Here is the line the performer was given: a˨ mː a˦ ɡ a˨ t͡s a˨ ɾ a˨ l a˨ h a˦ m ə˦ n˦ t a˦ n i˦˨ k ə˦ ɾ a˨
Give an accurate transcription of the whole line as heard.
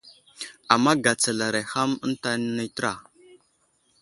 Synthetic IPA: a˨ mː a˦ ɡ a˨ t͡s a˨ l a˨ ɾ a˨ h a˦ m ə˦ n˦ t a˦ n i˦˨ t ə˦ ɾ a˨